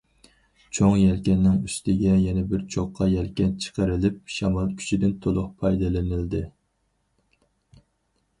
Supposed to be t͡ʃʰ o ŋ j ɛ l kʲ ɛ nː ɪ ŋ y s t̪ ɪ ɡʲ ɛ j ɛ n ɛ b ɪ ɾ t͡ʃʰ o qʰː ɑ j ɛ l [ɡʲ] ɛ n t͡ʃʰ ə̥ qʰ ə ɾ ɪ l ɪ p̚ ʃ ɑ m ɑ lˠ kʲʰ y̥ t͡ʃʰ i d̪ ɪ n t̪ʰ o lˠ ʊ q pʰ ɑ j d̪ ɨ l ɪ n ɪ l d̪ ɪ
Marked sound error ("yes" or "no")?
yes